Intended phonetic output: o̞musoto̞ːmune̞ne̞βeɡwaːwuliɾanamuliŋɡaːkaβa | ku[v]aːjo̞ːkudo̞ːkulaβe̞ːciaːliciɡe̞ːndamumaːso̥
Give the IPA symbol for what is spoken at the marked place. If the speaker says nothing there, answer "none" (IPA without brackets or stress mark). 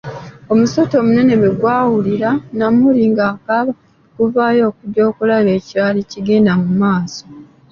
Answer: v